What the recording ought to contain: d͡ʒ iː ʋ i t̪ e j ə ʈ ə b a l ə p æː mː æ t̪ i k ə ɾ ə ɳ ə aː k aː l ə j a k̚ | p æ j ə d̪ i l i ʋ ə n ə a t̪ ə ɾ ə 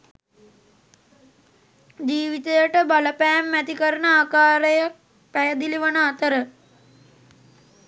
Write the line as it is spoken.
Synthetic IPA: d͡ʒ iː ʋ i t̪ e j ə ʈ ə b a l ə p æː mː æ t̪ i k ə ɾ ə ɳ ə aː k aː ɾ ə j a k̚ | p æ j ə d̪ i l i ʋ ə n ə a t̪ ə ɾ ə